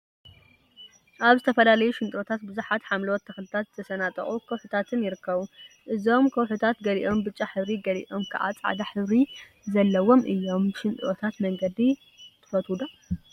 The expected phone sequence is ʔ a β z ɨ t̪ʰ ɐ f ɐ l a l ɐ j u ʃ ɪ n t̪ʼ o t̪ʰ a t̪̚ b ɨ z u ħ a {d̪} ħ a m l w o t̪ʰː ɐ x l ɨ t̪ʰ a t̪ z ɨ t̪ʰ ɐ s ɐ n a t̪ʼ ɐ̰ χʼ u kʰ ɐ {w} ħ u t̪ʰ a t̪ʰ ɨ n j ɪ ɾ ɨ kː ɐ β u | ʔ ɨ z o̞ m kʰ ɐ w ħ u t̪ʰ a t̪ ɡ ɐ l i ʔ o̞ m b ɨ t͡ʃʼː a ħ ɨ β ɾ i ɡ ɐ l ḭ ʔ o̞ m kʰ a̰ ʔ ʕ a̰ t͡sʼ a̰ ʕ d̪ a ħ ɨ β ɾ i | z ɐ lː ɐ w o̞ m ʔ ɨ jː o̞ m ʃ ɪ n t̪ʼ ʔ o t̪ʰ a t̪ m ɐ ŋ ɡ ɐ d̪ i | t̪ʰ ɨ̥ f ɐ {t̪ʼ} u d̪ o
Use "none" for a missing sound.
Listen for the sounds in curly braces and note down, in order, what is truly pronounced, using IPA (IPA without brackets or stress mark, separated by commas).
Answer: t̪, w, t̪